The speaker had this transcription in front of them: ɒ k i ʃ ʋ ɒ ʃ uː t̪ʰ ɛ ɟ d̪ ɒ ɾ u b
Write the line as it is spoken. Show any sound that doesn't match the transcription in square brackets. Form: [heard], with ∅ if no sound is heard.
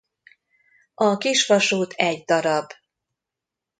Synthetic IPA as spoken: ɒ k i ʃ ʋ ɒ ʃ uː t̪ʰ ɛ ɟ d̪ ɒ ɾ [ɒ] b